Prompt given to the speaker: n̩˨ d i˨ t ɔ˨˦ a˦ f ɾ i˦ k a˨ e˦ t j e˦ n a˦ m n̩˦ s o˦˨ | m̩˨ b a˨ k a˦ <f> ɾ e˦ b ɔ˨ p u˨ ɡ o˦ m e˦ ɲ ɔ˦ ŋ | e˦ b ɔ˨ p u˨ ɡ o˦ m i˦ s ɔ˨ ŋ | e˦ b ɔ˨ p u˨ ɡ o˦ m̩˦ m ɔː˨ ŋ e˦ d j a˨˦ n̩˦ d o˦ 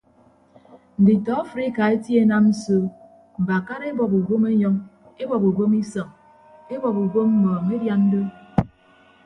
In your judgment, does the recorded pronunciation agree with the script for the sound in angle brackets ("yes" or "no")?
no